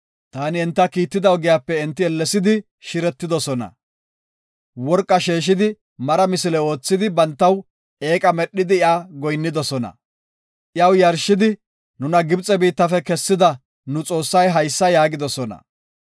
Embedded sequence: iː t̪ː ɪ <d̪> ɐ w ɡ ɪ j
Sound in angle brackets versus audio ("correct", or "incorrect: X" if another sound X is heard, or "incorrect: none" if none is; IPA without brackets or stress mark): correct